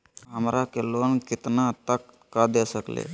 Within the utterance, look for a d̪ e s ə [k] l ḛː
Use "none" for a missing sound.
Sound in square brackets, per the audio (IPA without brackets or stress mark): k